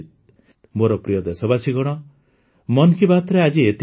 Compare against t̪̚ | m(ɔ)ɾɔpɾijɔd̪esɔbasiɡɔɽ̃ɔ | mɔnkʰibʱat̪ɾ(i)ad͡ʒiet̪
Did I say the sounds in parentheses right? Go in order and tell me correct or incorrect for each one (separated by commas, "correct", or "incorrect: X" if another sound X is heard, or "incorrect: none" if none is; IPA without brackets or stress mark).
incorrect: o, incorrect: e